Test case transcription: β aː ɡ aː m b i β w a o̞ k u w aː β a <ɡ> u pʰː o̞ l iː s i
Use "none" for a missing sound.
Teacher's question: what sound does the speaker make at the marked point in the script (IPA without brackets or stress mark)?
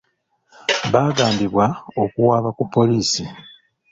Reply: k